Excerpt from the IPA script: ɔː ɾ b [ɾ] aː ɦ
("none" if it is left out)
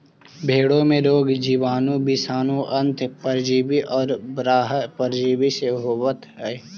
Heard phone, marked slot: ɾ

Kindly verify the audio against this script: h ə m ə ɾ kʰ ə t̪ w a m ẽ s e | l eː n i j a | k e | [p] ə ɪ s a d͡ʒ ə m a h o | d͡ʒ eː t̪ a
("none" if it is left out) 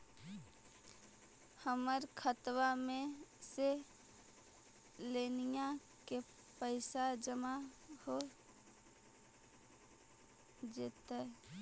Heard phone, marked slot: p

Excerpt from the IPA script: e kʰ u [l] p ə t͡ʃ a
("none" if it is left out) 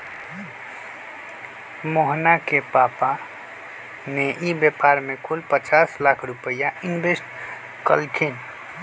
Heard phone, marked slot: l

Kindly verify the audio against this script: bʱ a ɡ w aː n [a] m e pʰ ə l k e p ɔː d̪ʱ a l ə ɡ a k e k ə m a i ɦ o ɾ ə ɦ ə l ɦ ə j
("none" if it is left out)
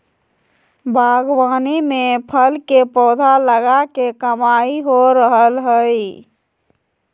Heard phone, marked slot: i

